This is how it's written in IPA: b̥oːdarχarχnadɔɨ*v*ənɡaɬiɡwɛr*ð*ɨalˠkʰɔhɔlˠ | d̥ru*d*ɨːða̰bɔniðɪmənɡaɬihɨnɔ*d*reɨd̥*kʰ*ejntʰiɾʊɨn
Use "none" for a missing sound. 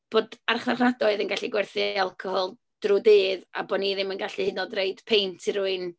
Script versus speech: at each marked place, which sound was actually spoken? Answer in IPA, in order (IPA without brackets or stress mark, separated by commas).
ð, θ, d, d, pʰ